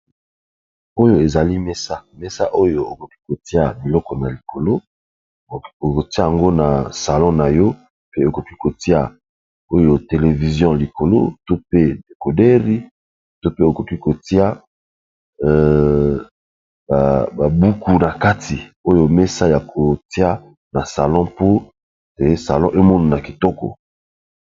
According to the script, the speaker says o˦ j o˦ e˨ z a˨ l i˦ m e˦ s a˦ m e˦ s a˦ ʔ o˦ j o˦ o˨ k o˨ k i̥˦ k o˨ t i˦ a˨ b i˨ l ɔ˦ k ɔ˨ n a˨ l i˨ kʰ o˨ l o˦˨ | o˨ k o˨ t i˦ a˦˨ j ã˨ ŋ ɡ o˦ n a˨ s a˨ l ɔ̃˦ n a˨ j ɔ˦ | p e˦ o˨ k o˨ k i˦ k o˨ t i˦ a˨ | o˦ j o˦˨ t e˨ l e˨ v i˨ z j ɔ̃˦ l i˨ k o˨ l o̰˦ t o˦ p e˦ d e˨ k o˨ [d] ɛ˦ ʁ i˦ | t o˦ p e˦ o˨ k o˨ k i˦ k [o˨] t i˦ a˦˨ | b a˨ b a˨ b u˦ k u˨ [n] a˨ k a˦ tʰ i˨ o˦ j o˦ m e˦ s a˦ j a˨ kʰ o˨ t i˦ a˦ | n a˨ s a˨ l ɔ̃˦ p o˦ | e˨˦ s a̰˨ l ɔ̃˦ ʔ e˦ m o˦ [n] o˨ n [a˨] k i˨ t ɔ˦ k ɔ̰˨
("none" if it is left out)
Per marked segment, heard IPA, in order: d, o˨, n, n, a˨

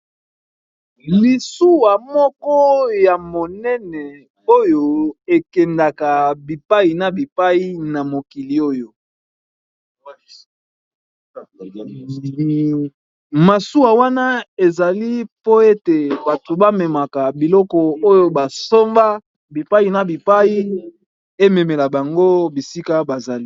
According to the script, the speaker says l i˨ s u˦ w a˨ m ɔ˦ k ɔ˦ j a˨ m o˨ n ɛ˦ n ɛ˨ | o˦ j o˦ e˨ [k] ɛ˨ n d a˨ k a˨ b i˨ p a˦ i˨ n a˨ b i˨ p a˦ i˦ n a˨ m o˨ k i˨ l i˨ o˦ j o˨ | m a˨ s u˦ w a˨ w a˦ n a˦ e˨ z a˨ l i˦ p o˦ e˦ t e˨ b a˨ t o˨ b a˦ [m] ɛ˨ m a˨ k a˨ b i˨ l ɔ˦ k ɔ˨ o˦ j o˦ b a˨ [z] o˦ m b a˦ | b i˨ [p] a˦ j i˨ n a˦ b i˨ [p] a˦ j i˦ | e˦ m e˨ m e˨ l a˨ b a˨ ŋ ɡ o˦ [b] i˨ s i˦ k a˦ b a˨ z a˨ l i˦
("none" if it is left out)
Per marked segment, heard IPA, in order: k, m, s, p, p, b

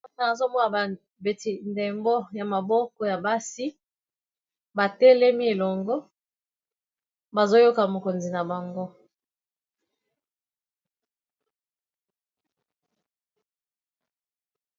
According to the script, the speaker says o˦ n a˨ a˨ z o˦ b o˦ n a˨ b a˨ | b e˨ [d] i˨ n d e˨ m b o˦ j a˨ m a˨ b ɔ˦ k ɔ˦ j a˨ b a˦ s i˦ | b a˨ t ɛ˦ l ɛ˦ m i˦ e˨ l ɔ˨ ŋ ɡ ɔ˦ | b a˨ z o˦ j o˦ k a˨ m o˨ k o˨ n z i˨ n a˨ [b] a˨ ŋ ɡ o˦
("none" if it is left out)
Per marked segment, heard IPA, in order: t, b

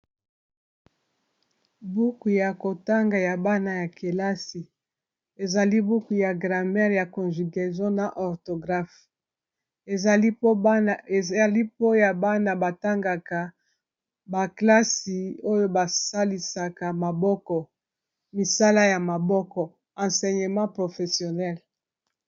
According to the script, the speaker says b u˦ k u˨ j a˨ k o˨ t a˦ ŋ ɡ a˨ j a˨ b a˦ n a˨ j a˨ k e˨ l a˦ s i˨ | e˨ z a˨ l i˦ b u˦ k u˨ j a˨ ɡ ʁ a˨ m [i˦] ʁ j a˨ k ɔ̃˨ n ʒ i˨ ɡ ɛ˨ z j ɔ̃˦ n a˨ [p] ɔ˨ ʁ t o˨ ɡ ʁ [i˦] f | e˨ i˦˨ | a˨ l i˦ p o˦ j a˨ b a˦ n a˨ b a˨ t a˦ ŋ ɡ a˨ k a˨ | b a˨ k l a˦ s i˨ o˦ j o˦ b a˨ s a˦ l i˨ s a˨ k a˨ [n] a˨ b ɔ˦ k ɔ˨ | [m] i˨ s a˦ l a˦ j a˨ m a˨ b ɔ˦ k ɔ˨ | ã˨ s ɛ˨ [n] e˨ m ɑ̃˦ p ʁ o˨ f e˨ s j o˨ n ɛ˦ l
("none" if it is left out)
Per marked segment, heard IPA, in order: ɛ˦, ʔ, a˦, m, m, ɲ

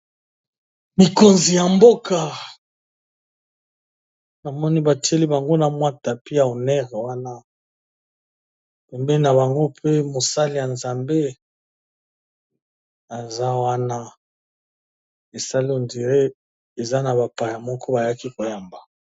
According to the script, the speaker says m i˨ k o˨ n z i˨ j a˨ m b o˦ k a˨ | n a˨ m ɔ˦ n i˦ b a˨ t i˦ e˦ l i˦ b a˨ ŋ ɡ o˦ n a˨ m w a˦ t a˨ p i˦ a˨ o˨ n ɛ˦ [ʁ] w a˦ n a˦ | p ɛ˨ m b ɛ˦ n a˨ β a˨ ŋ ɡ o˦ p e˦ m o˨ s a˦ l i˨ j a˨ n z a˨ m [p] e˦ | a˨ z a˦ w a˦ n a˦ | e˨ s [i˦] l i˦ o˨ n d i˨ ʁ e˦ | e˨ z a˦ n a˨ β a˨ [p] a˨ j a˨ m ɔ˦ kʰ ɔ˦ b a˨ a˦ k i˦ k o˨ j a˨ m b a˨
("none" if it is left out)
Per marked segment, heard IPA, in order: ʁ, b, a˦, p

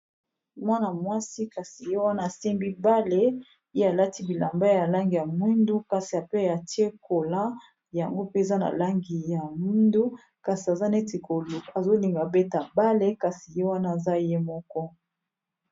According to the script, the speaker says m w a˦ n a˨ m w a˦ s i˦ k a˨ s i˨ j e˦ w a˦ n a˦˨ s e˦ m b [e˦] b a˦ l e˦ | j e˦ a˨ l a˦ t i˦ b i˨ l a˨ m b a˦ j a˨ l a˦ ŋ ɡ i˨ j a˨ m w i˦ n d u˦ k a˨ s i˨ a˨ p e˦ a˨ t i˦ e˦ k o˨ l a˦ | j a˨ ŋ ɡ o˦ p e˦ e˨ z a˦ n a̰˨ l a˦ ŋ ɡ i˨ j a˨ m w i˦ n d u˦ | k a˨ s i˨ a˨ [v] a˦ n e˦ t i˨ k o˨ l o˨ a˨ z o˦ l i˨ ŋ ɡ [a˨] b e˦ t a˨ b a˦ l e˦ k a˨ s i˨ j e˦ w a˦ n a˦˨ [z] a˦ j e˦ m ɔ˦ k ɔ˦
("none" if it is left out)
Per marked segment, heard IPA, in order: i˦, z, a˨, z

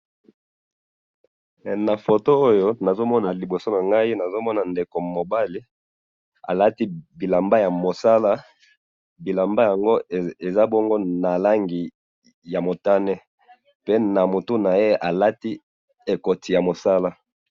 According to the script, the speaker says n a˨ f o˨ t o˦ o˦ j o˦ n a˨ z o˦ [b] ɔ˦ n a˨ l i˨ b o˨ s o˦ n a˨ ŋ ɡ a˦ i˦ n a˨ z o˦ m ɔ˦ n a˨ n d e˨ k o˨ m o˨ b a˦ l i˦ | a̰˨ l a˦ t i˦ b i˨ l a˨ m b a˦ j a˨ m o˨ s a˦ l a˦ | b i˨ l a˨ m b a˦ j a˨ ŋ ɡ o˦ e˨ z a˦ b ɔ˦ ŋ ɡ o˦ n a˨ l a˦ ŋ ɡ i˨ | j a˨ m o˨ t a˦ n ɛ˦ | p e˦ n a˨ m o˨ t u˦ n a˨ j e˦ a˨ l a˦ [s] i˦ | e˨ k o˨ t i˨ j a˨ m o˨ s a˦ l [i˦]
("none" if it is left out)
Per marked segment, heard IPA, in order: m, t, a˦

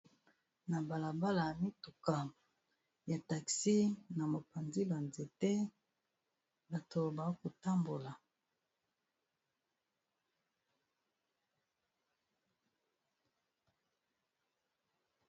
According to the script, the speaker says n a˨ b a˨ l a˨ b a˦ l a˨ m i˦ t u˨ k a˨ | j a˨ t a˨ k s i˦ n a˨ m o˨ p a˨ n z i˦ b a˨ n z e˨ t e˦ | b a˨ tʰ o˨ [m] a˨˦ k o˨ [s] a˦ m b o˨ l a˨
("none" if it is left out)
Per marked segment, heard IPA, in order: b, t

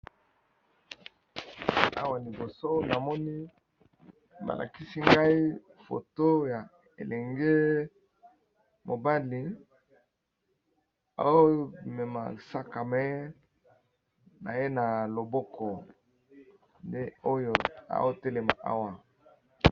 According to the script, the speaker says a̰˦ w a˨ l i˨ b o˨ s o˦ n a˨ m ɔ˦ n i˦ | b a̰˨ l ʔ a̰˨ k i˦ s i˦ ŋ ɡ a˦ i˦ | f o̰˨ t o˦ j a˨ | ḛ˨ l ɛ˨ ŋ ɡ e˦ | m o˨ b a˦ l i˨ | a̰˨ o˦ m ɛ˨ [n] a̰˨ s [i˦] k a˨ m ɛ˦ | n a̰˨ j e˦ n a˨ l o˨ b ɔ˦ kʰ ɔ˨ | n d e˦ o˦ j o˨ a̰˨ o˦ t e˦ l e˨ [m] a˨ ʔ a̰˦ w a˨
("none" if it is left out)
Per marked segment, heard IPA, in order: m, a˦, m

